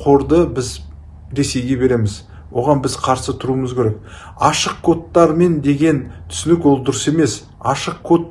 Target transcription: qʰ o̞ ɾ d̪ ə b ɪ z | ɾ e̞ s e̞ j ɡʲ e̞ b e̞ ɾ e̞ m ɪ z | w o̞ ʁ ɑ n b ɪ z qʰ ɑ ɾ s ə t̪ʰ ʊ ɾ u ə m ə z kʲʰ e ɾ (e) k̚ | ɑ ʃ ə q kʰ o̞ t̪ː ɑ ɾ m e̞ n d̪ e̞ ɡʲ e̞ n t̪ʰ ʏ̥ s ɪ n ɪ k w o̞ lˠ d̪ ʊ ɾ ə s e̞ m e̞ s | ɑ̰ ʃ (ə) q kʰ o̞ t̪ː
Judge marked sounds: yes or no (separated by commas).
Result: yes, yes